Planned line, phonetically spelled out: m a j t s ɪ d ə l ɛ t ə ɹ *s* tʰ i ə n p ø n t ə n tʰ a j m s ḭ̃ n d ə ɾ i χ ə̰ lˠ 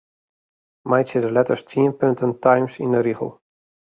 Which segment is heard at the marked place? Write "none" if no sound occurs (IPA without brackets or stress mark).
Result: s